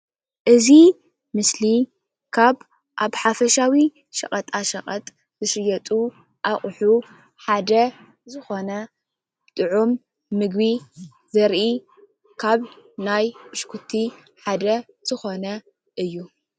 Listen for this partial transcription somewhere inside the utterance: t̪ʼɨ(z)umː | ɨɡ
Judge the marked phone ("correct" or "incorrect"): incorrect